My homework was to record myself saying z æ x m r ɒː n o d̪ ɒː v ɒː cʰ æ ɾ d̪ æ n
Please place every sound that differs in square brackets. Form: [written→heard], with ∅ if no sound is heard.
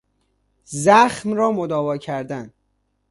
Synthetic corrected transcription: z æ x m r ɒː [n→m] o d̪ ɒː v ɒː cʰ æ ɾ d̪ æ n